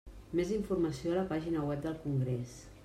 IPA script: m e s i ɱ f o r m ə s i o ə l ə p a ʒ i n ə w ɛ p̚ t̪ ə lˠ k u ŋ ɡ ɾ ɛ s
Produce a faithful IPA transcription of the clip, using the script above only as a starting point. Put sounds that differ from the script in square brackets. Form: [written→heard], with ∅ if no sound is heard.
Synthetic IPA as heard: m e [s→z] i ɱ f [o→u] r m ə s i o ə l ə p a ʒ i n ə w ɛ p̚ [t̪→d̪] ə lˠ k u ŋ ɡ ɾ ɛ s